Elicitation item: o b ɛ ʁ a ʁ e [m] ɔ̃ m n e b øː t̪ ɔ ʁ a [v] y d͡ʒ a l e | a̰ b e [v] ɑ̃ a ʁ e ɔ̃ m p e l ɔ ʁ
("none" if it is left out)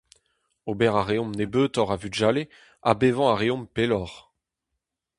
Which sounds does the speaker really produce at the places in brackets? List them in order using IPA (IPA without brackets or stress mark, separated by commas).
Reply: none, v, v